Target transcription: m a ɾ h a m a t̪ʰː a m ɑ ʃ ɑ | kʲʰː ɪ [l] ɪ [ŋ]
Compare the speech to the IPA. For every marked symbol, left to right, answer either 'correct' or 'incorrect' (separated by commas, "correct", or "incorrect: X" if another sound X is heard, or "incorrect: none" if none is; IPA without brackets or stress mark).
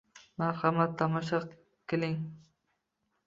correct, correct